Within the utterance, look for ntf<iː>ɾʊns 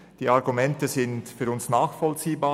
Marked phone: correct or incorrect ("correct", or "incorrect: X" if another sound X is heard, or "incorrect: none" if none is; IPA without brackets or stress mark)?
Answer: incorrect: yː